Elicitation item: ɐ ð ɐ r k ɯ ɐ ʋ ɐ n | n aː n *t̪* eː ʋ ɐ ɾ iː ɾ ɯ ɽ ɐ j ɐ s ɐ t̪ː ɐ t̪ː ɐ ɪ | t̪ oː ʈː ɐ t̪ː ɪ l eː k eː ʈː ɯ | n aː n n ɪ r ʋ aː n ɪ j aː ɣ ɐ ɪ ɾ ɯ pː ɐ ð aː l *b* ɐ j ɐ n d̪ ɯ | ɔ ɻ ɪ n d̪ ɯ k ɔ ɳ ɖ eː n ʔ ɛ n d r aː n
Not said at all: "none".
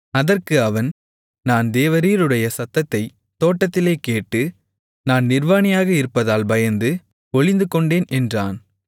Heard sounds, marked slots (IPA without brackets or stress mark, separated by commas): d̪, b